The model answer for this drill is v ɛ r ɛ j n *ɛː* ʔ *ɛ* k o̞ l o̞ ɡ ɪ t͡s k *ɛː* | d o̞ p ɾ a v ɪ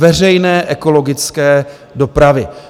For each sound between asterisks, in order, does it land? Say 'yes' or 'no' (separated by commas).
yes, yes, yes